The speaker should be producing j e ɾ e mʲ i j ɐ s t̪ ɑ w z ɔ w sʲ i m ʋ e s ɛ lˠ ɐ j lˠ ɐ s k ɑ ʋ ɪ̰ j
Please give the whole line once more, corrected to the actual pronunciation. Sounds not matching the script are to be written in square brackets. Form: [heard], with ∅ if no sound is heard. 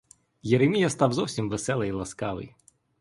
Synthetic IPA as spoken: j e ɾ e mʲ i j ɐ s t̪ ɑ w z ɔ w sʲ i m ʋ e s ɛ lˠ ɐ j lˠ ɐ s k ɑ ʋ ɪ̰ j